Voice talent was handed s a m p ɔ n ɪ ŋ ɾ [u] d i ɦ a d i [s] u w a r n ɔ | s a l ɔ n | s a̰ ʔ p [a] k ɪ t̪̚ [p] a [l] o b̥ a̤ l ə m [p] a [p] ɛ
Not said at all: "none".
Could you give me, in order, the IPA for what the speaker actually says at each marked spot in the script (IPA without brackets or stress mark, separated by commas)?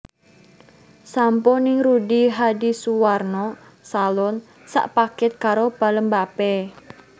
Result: u, s, a, k, ɾ, b, p